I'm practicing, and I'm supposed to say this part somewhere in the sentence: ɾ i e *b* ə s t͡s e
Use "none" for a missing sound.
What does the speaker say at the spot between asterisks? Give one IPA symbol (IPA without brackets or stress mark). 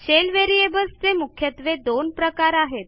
b